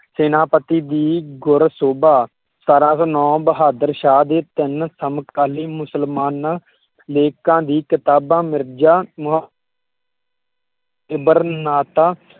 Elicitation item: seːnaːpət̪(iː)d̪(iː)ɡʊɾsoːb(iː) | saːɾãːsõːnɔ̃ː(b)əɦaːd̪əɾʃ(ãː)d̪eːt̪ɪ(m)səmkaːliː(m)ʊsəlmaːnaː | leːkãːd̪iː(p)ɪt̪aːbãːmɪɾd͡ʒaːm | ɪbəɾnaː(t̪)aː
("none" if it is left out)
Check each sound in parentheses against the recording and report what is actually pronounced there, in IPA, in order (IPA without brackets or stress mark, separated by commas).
iː, iː, aː, b, aː, n, m, k, t̪